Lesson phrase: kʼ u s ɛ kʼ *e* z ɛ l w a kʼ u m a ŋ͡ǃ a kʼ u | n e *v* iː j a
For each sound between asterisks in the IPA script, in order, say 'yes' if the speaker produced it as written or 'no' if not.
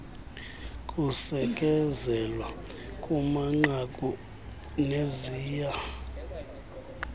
no, no

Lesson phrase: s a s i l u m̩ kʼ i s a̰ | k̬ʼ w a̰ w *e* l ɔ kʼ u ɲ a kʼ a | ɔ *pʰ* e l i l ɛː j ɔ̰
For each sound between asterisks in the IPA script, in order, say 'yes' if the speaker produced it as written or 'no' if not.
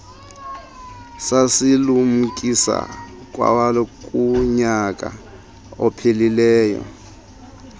no, yes

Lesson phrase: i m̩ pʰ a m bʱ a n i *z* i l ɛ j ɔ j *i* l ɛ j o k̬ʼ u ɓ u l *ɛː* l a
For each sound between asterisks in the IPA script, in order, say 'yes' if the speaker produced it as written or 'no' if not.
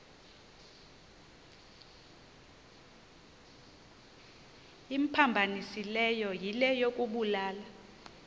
no, yes, no

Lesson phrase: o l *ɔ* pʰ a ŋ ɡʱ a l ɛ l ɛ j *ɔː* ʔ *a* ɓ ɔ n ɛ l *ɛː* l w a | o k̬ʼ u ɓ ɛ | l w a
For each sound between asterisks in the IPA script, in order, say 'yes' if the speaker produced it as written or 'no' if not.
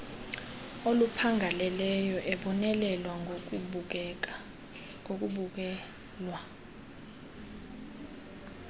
no, no, no, no

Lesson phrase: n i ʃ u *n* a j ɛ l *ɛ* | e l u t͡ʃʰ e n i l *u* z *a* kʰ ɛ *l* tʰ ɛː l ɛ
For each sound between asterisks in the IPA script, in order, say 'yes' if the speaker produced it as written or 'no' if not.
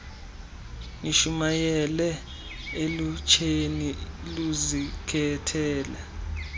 no, yes, yes, no, no

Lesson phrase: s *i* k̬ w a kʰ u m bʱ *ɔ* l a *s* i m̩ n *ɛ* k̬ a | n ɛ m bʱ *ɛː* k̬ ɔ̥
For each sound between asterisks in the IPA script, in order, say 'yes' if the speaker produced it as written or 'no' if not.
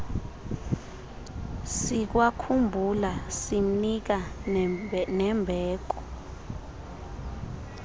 yes, no, yes, no, yes

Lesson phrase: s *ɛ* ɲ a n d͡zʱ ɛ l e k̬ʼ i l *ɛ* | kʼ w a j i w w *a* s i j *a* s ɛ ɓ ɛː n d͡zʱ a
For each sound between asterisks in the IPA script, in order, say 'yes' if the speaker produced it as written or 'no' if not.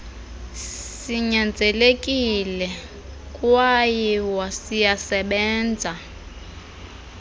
no, yes, yes, yes

